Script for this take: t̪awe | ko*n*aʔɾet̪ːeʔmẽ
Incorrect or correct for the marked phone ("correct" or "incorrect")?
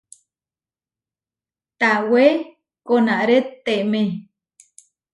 correct